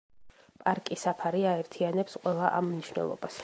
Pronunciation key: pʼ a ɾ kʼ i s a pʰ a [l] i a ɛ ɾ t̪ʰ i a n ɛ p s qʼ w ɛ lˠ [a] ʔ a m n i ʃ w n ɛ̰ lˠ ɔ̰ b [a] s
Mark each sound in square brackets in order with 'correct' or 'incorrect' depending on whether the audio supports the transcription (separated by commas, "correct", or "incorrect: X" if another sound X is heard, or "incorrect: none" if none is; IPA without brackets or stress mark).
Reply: incorrect: ɾ, correct, correct